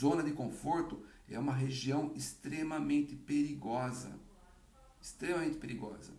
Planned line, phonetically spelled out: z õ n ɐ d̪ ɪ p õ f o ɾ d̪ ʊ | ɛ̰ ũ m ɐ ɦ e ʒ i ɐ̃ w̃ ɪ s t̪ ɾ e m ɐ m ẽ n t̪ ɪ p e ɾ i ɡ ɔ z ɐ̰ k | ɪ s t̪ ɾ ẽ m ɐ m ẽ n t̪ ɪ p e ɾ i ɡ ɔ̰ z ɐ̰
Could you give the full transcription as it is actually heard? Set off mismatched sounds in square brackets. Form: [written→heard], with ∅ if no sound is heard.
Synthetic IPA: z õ n ɐ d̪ ɪ [p→k] õ f o ɾ [d̪→t̪] ʊ | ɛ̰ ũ m ɐ ɦ e ʒ i ɐ̃ w̃ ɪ s t̪ ɾ e m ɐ m ẽ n t̪ ɪ p e ɾ i ɡ ɔ z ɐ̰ [k→∅] | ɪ s t̪ ɾ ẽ m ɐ m ẽ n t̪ ɪ p e ɾ i ɡ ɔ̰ z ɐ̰